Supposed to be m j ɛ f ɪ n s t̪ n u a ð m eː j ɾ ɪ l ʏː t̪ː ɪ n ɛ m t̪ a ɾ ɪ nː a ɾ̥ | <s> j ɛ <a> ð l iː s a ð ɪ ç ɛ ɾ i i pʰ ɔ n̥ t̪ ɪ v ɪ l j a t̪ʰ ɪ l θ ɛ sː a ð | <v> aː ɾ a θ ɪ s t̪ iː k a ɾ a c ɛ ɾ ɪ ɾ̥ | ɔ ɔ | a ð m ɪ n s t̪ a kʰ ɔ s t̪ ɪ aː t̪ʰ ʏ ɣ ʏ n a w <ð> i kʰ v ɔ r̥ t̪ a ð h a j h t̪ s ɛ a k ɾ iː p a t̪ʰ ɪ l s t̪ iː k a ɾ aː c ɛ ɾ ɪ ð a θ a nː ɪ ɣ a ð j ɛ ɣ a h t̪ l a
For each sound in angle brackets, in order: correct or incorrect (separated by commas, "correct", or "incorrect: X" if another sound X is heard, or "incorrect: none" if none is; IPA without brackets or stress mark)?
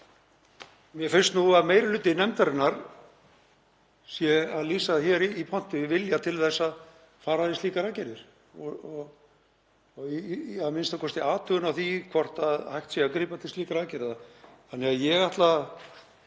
correct, correct, incorrect: f, incorrect: θ